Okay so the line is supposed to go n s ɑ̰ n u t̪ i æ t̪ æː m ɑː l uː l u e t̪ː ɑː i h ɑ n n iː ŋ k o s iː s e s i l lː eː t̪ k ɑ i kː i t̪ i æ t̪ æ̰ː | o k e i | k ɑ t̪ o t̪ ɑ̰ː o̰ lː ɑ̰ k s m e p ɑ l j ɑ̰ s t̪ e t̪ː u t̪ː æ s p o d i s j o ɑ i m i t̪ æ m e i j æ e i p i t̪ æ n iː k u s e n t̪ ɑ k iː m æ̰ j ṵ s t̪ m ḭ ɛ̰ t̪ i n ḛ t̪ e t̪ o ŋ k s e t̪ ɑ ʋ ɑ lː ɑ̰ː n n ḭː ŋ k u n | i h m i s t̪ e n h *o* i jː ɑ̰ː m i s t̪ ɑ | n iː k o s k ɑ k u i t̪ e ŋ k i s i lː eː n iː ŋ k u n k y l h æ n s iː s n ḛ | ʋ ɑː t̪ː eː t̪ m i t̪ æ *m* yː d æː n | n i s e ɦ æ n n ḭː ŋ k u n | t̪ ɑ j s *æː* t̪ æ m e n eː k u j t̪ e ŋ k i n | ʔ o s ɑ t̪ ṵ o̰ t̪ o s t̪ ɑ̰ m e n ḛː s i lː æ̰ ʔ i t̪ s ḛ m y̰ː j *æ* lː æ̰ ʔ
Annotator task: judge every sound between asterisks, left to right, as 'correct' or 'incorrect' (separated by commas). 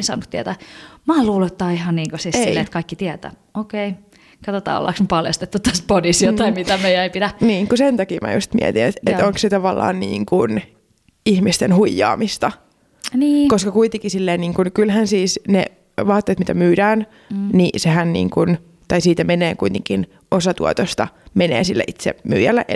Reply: incorrect, correct, incorrect, correct